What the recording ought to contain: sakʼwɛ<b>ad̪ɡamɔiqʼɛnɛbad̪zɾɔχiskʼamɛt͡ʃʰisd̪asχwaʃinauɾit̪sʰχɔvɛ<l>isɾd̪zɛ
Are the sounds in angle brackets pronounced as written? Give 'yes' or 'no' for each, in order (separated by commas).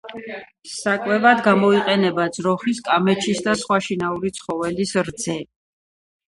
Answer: no, yes